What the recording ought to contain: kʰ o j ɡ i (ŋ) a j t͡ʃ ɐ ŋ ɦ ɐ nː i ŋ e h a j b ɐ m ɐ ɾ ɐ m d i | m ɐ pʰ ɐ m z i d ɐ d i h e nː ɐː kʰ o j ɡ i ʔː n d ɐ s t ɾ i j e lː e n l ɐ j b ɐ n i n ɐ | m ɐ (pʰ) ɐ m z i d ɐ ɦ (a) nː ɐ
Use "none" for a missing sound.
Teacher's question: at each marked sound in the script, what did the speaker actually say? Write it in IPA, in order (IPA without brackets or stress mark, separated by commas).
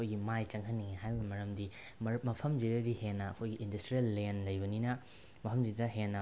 m, pʰ, e